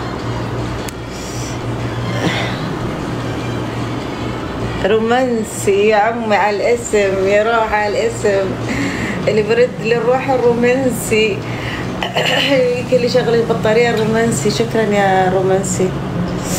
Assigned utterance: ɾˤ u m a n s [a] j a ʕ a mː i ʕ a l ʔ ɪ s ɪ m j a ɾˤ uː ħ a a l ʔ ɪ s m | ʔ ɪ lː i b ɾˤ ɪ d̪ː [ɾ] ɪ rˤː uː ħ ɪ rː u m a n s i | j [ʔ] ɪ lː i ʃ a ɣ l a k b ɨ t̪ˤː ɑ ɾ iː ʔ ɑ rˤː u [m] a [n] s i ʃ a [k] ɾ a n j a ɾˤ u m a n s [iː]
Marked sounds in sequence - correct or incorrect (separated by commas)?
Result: incorrect, incorrect, incorrect, correct, correct, correct, incorrect